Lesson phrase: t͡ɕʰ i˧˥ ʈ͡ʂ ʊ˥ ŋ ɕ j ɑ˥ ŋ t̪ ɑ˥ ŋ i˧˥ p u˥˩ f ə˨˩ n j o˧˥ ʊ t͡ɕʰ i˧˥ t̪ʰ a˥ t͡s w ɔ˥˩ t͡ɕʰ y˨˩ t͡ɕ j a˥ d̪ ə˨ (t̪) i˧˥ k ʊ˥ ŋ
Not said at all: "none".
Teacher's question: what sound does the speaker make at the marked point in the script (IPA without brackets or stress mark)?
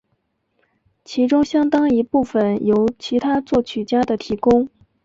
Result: t̪ʰ